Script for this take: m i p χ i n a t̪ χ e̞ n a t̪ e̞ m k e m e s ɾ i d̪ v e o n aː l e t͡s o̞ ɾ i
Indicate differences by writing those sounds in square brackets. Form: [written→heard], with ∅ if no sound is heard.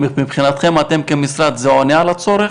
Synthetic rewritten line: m i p χ i n a t̪ χ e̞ [n→m] a t̪ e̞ m k e m [e→i] s ɾ [i→a] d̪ [v→z] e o n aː l [e→a] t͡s o̞ ɾ [i→e]